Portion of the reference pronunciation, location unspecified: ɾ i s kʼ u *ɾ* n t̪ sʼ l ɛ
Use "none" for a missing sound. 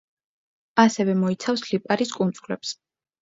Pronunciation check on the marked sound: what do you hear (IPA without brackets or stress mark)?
none